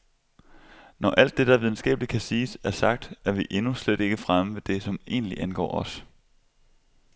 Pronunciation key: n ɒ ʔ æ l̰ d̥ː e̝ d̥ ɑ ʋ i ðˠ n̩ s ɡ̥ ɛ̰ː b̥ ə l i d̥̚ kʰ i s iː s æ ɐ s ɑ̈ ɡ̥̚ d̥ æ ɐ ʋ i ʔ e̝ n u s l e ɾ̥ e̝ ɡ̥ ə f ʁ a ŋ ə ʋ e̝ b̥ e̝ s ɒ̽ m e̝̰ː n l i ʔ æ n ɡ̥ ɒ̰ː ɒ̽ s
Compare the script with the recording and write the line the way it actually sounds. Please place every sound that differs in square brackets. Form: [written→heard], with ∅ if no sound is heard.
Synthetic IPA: n ɒ ʔ æ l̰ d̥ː e̝ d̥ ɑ ʋ i ðˠ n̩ s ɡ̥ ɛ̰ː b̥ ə l i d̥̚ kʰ [i→æ] s iː s æ ɐ s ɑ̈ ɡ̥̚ d̥ æ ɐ ʋ i ʔ e̝ n u s l e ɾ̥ e̝ ɡ̥ ə f ʁ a [ŋ→m] ə ʋ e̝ [b̥→d̥] e̝ s ɒ̽ m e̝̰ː n l i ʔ æ n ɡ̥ ɒ̰ː ɒ̽ s

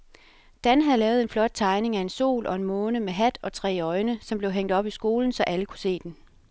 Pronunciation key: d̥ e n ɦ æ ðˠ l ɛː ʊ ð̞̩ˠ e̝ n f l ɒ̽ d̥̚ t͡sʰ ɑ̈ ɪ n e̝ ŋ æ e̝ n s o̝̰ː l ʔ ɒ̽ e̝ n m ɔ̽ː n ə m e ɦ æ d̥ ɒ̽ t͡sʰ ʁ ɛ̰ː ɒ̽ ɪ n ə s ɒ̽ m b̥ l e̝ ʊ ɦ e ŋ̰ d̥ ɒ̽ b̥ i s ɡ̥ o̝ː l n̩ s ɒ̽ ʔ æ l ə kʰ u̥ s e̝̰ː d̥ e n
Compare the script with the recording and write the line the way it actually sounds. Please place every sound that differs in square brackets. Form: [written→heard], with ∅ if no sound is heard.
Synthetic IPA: d̥ [e→æ] n ɦ æ ðˠ l ɛː ʊ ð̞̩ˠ e̝ n f l ɒ̽ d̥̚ t͡sʰ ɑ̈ ɪ n e̝ ŋ æ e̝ n s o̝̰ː l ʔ ɒ̽ e̝ n m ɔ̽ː n ə m e ɦ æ d̥ ɒ̽ t͡sʰ ʁ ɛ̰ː ɒ̽ ɪ n ə s ɒ̽ m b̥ l e̝ ʊ ɦ e ŋ̰ d̥ ɒ̽ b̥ i s ɡ̥ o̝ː l n̩ s ɒ̽ ʔ æ l ə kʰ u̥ s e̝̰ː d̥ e n

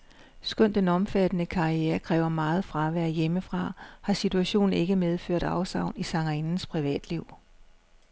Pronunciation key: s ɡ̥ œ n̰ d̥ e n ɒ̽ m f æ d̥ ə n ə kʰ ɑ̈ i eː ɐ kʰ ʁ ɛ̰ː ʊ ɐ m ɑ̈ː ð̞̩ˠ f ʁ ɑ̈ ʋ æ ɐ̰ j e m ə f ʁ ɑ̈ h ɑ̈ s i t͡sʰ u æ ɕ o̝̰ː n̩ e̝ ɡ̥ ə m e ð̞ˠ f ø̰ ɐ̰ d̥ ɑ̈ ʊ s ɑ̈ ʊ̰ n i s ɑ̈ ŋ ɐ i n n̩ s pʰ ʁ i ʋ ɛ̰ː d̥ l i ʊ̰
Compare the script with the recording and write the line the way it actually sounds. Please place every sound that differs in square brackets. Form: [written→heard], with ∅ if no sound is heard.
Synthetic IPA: s ɡ̥ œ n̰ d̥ e n ɒ̽ m f æ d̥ ə n ə kʰ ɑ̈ i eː ɐ kʰ ʁ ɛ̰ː ʊ ɐ m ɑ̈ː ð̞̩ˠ f ʁ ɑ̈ ʋ æ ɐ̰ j e m ə f ʁ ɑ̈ h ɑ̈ s i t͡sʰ u æ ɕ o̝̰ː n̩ e̝ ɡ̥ ə m e ð̞ˠ f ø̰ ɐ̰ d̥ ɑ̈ ʊ s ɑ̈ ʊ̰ n i s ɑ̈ ŋ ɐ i n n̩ s pʰ ʁ i ʋ ɛ̰ː d̥ l i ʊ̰

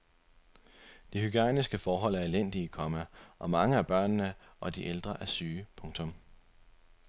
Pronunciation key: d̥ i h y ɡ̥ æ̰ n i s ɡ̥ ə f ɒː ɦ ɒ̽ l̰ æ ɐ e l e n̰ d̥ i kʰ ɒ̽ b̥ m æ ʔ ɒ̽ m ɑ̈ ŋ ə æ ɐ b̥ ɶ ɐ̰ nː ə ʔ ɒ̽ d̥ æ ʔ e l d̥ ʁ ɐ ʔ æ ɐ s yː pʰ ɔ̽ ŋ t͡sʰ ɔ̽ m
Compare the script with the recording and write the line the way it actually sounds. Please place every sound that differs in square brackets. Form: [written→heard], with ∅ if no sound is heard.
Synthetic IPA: d̥ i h y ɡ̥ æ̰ n i s ɡ̥ ə f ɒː ɦ ɒ̽ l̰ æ ɐ e l e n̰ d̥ i kʰ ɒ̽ [b̥→∅] m æ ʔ ɒ̽ m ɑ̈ ŋ ə æ ɐ b̥ ɶ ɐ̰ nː ə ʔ ɒ̽ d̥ [æ→i] ʔ e l d̥ ʁ ɐ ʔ æ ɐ s yː pʰ ɔ̽ ŋ t͡sʰ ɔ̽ m

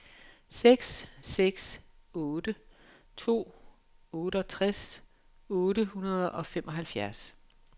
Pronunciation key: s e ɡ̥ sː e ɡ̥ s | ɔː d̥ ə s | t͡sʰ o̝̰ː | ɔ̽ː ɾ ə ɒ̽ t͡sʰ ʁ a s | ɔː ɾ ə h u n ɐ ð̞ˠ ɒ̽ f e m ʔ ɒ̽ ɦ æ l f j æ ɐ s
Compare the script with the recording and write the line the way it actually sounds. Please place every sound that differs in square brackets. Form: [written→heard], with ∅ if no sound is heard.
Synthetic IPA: s e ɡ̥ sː e ɡ̥ s | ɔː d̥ ə [s→∅] | t͡sʰ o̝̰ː | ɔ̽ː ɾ ə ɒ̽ t͡sʰ ʁ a s | ɔː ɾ ə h u n ɐ ð̞ˠ ɒ̽ f e m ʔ ɒ̽ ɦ æ l f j æ ɐ s

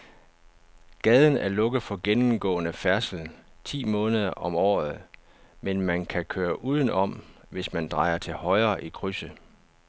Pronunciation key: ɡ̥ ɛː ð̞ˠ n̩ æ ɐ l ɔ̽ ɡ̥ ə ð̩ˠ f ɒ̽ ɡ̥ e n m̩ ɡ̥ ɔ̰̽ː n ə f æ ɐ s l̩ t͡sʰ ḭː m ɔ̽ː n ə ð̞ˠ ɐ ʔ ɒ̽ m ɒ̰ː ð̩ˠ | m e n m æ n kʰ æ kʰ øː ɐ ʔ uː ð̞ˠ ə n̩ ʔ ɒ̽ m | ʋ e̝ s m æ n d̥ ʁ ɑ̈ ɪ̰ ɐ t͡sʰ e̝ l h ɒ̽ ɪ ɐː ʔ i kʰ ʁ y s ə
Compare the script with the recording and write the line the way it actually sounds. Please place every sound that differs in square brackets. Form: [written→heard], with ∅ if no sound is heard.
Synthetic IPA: ɡ̥ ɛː ð̞ˠ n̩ æ ɐ l ɔ̽ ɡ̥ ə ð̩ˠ f ɒ̽ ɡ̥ e n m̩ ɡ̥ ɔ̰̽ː n ə f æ ɐ s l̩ t͡sʰ ḭː m ɔ̽ː n ə ð̞ˠ ɐ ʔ ɒ̽ m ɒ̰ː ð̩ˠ | m e n m æ n kʰ æ kʰ øː ɐ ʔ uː ð̞ˠ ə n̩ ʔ ɒ̽ m | ʋ e̝ s m æ n d̥ ʁ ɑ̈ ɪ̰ ɐ t͡sʰ e̝ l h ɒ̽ ɪ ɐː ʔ i kʰ ʁ y s ə

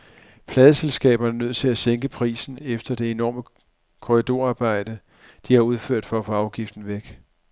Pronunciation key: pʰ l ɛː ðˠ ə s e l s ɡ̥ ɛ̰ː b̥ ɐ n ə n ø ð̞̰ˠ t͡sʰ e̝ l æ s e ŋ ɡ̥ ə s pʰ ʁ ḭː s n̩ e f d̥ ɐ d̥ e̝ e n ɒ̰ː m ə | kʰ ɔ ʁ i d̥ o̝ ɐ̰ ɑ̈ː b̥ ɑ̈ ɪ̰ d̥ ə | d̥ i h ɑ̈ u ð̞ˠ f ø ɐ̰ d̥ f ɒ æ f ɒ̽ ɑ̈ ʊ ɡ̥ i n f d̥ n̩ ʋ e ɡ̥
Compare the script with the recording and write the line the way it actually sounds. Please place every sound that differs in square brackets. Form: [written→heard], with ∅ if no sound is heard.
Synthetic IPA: pʰ l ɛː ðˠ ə s e l s ɡ̥ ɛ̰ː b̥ ɐ n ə n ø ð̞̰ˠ t͡sʰ e̝ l æ s e ŋ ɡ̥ ə [s→∅] pʰ ʁ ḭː s n̩ e f d̥ ɐ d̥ e̝ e n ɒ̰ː m ə | kʰ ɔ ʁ i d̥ o̝ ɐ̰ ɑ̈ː b̥ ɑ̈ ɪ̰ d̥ ə | d̥ i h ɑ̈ u ð̞ˠ f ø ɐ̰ d̥ f ɒ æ f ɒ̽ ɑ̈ ʊ ɡ̥ i [n→∅] f d̥ n̩ ʋ e ɡ̥

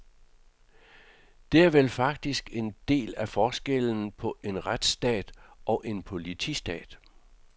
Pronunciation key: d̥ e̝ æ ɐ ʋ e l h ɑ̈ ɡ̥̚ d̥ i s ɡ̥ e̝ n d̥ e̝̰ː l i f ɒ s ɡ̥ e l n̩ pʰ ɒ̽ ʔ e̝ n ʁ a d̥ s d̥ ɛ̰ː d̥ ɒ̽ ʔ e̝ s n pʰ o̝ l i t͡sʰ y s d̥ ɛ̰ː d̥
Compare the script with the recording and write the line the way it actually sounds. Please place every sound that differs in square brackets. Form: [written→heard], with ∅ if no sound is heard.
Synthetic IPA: d̥ e̝ æ ɐ ʋ e l [h→f] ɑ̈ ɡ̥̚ d̥ i s ɡ̥ e̝ n d̥ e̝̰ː l [i→æ] f [ɒ→ɒː] s ɡ̥ e l n̩ pʰ ɒ̽ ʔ e̝ n ʁ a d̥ s d̥ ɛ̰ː d̥ ɒ̽ ʔ e̝ [s→∅] n pʰ o̝ l i t͡sʰ [y→i] s d̥ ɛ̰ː d̥

